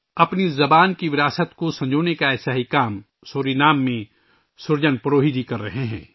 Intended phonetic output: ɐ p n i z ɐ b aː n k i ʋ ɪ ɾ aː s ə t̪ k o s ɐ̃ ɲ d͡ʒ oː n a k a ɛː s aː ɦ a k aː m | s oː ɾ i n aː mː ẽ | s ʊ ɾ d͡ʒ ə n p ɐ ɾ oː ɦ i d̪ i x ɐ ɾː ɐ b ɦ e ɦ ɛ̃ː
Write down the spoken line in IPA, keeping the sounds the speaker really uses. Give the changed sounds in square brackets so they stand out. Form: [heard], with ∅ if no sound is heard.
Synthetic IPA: ɐ p n i z ɐ b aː n k i ʋ ɪ ɾ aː s ə t̪ k o s ɐ̃ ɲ d͡ʒ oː n [e] k a ɛː s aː ɦ [i] k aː m | s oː ɾ i n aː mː ẽ | s ʊ ɾ d͡ʒ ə n p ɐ ɾ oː ɦ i d̪ i [k] ɐ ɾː ɐ [∅] ɦ e ɦ ɛ̃ː